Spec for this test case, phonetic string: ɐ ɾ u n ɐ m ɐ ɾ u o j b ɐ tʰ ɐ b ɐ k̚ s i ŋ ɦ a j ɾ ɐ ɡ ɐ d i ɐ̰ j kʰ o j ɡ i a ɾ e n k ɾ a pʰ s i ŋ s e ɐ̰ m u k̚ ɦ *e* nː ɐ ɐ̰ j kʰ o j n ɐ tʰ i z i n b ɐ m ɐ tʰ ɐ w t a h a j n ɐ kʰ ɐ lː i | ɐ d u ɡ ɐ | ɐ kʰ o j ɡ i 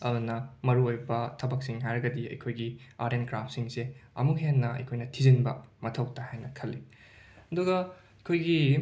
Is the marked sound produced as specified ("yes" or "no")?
yes